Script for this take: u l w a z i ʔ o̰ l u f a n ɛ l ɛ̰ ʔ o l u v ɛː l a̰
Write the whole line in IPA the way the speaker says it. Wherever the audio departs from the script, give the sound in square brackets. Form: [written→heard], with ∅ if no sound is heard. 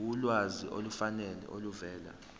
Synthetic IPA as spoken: u l w a z i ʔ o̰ l u f a n ɛ l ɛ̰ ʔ o l u v ɛː l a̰